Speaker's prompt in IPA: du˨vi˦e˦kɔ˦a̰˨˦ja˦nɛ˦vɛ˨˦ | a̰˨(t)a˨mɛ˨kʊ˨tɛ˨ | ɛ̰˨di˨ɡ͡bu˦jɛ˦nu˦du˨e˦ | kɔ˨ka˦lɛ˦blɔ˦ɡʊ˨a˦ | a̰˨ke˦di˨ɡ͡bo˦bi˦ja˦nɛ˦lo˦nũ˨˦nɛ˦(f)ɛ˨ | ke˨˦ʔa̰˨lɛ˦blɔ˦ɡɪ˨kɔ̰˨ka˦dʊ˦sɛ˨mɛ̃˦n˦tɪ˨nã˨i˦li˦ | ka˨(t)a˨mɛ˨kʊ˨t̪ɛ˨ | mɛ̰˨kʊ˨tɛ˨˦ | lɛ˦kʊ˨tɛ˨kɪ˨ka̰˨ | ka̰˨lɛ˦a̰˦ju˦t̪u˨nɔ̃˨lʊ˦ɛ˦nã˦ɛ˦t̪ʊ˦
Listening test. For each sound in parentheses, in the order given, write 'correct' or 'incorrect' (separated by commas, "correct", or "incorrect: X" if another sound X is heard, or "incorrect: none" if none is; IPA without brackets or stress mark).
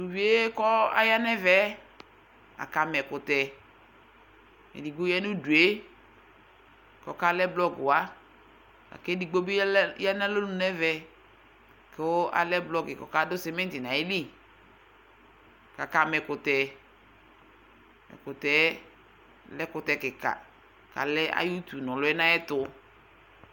incorrect: k, incorrect: v, incorrect: k